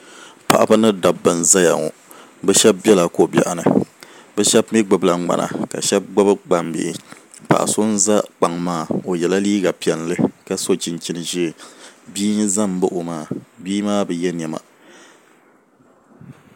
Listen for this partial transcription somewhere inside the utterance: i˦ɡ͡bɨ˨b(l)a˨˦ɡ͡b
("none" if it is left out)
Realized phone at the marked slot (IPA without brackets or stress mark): l